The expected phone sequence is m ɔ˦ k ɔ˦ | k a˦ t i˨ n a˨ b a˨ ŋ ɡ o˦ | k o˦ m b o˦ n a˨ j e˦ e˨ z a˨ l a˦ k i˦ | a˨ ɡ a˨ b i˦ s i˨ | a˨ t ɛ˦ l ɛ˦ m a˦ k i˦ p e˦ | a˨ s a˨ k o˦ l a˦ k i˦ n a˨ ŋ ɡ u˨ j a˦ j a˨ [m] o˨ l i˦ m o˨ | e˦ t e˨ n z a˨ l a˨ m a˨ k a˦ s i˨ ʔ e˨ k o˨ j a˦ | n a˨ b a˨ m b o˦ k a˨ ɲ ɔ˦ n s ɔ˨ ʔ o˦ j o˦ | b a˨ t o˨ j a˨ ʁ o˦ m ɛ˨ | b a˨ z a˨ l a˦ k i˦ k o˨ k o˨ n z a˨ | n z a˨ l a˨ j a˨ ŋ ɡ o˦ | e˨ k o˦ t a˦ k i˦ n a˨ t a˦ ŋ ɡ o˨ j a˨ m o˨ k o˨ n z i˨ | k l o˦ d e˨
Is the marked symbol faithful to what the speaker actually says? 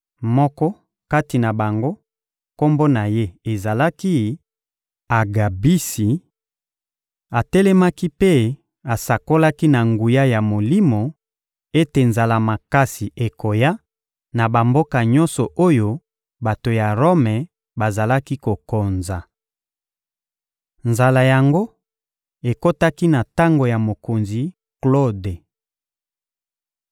yes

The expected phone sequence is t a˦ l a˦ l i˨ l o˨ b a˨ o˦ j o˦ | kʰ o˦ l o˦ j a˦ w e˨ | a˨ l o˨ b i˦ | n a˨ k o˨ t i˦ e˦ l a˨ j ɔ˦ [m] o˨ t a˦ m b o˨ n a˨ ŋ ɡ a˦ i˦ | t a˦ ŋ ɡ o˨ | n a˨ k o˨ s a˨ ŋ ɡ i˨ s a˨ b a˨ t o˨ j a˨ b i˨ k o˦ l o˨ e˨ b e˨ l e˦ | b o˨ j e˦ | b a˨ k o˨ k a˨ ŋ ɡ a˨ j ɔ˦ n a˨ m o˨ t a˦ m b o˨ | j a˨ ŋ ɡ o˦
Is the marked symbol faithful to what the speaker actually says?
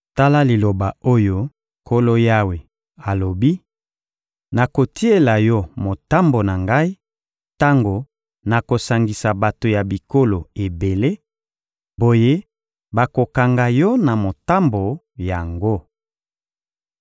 yes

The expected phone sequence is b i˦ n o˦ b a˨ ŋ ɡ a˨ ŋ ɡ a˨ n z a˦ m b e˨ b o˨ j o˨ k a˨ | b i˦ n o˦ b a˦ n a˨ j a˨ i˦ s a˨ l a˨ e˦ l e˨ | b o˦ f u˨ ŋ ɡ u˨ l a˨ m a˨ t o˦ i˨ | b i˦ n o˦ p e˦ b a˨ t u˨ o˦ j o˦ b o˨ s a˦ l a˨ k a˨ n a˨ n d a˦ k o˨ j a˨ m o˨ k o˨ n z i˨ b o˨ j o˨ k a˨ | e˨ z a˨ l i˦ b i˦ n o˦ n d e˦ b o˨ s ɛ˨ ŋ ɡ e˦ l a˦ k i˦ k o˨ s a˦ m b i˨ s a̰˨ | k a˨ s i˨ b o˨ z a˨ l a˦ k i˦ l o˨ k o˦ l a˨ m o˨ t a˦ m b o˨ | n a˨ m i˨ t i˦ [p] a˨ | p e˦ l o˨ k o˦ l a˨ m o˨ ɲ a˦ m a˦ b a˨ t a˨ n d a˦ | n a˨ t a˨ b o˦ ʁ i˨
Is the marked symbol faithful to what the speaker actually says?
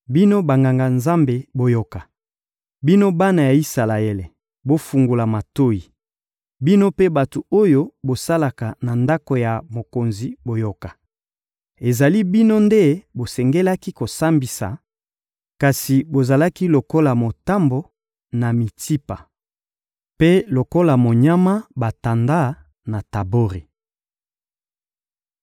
yes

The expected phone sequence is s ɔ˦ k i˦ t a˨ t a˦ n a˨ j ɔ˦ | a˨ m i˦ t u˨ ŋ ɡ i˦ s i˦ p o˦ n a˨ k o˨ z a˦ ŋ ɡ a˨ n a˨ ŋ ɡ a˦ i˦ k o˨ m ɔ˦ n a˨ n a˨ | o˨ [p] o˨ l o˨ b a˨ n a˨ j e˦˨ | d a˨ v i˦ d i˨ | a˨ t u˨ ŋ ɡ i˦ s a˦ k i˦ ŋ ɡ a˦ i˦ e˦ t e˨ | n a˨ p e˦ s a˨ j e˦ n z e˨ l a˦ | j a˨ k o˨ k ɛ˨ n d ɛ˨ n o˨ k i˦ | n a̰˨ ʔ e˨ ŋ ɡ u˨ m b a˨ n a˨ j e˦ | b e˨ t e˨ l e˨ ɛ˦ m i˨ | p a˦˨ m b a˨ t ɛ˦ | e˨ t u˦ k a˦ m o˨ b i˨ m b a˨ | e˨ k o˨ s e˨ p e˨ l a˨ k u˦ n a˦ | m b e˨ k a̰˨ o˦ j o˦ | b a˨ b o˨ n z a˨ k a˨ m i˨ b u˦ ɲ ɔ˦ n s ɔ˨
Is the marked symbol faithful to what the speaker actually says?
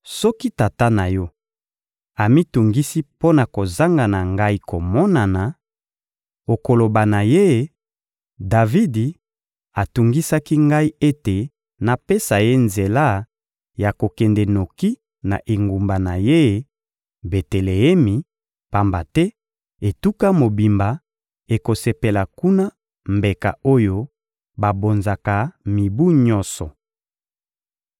no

